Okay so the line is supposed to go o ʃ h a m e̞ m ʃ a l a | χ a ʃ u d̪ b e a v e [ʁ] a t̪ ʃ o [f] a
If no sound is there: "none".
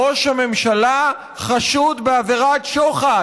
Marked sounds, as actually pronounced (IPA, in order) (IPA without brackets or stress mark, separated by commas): ʁ, χ